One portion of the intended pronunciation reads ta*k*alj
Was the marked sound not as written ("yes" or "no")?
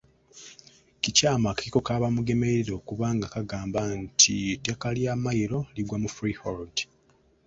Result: no